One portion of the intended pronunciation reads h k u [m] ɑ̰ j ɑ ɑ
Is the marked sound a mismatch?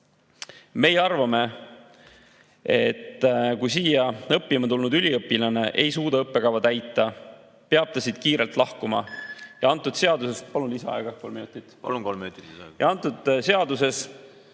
no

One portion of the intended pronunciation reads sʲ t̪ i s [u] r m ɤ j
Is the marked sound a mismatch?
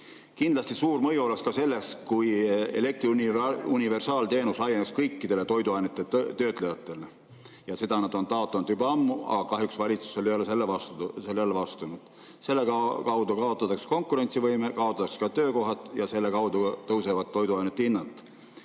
yes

